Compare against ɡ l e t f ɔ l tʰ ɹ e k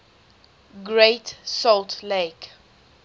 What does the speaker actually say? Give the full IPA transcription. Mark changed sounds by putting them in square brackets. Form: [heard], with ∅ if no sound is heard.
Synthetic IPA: ɡ [ɹ] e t [s] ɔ l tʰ [l] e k